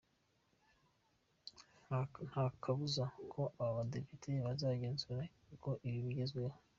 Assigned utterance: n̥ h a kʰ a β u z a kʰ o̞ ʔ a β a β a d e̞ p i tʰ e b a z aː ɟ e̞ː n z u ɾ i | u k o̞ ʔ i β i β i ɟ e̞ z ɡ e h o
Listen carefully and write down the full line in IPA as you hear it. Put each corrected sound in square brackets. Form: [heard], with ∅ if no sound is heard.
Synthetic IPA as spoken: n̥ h a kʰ a β u z a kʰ o̞ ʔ a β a β a d e̞ p i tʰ e [β] a z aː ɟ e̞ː n z u ɾ [a] | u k o̞ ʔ i β i β i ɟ e̞ z ɡ e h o